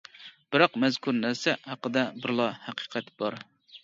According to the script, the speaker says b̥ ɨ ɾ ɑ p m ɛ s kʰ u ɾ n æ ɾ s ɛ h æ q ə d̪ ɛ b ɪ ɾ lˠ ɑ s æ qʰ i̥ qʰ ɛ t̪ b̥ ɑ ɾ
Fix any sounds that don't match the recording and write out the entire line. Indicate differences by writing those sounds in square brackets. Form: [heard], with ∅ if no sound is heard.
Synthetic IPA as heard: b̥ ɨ ɾ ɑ [q] m ɛ [z] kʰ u ɾ n æ ɾ s ɛ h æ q ə d̪ ɛ b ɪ ɾ lˠ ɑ [h] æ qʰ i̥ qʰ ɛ t̪ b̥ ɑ ɾ